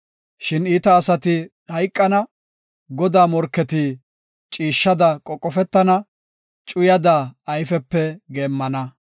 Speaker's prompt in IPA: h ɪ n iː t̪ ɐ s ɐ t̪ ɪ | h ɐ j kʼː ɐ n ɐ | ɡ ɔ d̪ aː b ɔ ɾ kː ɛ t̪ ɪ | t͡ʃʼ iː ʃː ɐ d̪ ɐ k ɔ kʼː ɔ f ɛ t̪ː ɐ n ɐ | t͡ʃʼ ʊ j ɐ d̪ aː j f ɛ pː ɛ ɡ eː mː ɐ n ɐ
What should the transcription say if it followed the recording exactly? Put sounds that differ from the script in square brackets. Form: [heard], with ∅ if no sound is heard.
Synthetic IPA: [ʃ] ɪ n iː t̪ [ɐː] s ɐ t̪ ɪ | h ɐ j kʼː ɐ n ɐ | ɡ ɔ d̪ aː [m] ɔ ɾ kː ɛ t̪ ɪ | t͡ʃʼ iː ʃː ɐ d̪ ɐ [kʼ] ɔ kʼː ɔ f ɛ t̪ː ɐ n ɐ | t͡ʃʼ ʊ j ɐ d̪ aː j f ɛ pː ɛ ɡ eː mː ɐ n ɐ

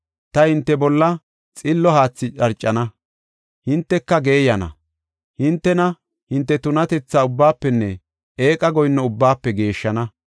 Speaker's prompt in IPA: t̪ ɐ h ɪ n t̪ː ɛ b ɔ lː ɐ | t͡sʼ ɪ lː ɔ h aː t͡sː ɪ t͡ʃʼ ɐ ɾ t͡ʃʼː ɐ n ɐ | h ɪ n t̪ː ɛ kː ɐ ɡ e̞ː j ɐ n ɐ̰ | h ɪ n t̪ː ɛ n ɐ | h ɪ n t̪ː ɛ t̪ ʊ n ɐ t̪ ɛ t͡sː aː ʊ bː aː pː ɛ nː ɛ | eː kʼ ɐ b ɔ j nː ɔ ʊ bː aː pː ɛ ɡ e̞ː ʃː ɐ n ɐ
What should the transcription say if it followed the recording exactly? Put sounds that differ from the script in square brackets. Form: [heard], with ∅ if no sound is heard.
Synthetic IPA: t̪ ɐ h ɪ n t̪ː ɛ b ɔ lː ɐ | t͡sʼ ɪ lː ɔ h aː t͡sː ɪ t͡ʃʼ ɐ ɾ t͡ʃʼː ɐ n ɐ | h ɪ n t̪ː ɛ kː ɐ ɡ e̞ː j ɐ n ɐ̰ | h ɪ n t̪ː ɛ n ɐ | h ɪ n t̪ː ɛ t̪ ʊ n ɐ t̪ ɛ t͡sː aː ʊ bː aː pː ɛ nː ɛ | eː kʼ ɐ [ɡ] ɔ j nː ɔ ʊ bː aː pː ɛ ɡ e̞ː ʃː ɐ n ɐ

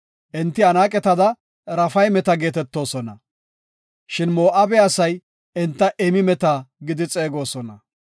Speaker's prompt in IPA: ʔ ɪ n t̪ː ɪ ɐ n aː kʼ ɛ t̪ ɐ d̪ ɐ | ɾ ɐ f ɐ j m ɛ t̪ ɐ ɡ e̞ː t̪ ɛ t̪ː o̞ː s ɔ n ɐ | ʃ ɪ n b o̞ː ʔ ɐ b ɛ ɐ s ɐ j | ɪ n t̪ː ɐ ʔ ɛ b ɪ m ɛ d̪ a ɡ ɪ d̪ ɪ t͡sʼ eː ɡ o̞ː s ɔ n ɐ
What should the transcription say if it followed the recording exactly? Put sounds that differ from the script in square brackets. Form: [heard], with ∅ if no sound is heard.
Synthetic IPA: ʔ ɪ n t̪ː ɪ ɐ n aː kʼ ɛ t̪ ɐ d̪ ɐ | ɾ ɐ f ɐ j m ɛ t̪ ɐ ɡ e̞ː t̪ ɛ t̪ː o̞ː s ɔ n ɐ | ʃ ɪ n [m] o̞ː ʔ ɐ b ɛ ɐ s ɐ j | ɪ n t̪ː ɐ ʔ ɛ [m] ɪ m ɛ [t̪] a ɡ ɪ d̪ ɪ t͡sʼ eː ɡ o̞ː s ɔ n ɐ

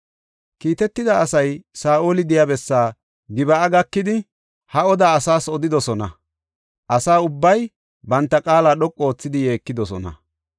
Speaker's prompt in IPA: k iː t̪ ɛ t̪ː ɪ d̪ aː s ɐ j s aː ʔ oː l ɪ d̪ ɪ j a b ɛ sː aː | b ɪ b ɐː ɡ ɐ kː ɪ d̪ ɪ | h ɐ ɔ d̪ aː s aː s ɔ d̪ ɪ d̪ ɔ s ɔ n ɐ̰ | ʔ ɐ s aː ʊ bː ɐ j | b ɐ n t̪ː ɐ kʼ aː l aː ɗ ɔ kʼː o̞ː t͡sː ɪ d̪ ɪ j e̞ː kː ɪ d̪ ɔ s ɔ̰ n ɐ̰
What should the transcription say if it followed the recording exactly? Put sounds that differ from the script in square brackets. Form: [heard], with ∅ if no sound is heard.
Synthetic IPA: k iː t̪ ɛ t̪ː ɪ d̪ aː s ɐ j s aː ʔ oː l ɪ d̪ ɪ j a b ɛ sː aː | [ɡ] ɪ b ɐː ɡ ɐ kː ɪ d̪ ɪ | h ɐ ɔ d̪ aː s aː s ɔ d̪ ɪ d̪ ɔ s ɔ n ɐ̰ | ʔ ɐ s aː ʊ bː ɐ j | b ɐ n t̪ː ɐ kʼ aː l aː ɗ ɔ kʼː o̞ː t͡sː ɪ d̪ ɪ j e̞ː kː ɪ d̪ ɔ s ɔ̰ n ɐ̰

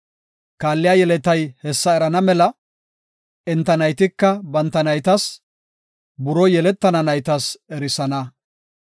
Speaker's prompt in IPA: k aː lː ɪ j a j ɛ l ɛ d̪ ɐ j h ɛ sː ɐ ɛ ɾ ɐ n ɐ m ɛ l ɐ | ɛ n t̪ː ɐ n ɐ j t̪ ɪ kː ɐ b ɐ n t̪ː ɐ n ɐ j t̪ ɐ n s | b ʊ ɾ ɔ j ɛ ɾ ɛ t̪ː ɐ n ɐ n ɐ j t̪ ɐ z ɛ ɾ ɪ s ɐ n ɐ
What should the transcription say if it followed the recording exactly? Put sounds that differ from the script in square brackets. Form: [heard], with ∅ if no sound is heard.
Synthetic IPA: k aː lː ɪ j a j ɛ l ɛ [t̪] ɐ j h ɛ sː ɐ ɛ ɾ ɐ n ɐ m ɛ l ɐ | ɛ n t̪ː ɐ n ɐ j t̪ ɪ kː ɐ b ɐ n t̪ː ɐ n ɐ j t̪ ɐ [∅] s | b ʊ ɾ ɔ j ɛ [l] ɛ t̪ː ɐ n ɐ n ɐ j t̪ ɐ [s] ɛ ɾ ɪ s ɐ n ɐ

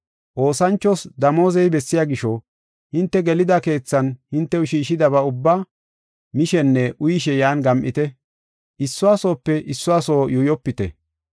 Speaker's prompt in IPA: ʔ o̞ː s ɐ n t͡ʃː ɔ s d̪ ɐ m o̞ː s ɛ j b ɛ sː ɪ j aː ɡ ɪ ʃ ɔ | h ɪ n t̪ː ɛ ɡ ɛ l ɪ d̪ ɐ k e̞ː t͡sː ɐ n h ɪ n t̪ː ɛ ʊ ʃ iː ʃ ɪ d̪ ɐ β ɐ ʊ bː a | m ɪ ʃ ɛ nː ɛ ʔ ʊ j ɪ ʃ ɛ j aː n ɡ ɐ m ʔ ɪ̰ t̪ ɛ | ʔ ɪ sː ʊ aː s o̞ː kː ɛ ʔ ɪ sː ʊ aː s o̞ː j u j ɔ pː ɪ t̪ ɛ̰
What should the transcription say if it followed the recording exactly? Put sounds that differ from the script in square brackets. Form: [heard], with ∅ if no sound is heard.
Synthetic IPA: ʔ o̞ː s ɐ n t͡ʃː ɔ s d̪ ɐ m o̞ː [z] ɛ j b ɛ sː ɪ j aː ɡ ɪ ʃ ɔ | h ɪ n t̪ː ɛ ɡ ɛ l ɪ d̪ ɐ k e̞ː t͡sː ɐ n h ɪ n t̪ː ɛ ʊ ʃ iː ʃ ɪ d̪ ɐ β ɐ ʊ bː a | m ɪ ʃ ɛ nː ɛ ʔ ʊ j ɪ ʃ ɛ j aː n ɡ ɐ m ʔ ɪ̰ t̪ ɛ | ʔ ɪ sː ʊ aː s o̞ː [pː] ɛ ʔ ɪ sː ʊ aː s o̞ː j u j ɔ pː ɪ t̪ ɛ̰

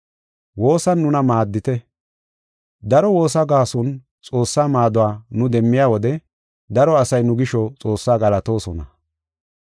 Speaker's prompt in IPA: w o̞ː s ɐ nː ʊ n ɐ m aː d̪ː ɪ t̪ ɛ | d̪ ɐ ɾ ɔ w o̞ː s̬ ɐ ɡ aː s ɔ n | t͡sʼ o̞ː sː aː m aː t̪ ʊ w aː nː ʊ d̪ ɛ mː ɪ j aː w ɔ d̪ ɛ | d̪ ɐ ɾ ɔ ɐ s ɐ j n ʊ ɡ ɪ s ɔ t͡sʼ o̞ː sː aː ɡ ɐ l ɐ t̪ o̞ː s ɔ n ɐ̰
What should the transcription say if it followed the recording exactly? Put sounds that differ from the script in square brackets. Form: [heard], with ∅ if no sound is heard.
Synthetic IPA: w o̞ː s ɐ nː ʊ n ɐ m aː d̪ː ɪ t̪ ɛ | d̪ ɐ ɾ ɔ w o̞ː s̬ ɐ ɡ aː s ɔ n | t͡sʼ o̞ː sː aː m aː [d̪] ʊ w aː [n] ʊ d̪ ɛ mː ɪ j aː w ɔ d̪ ɛ | d̪ ɐ ɾ ɔ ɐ s ɐ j n ʊ ɡ ɪ [ʃ] ɔ t͡sʼ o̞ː sː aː ɡ ɐ l ɐ t̪ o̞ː s ɔ n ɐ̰

